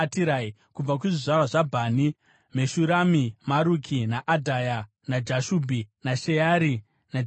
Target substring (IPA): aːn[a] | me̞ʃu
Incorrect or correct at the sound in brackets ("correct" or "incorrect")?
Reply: incorrect